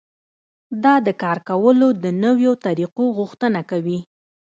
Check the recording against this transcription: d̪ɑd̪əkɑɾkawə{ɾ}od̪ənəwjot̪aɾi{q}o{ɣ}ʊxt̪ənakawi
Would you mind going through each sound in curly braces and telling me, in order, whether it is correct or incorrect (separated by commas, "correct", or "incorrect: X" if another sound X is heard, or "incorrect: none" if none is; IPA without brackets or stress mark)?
incorrect: l, correct, correct